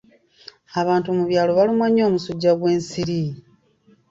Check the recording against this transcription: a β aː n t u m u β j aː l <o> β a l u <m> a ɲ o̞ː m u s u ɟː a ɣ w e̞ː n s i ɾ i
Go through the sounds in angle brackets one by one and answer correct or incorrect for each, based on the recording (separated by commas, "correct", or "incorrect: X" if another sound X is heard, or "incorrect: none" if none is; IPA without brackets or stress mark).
correct, correct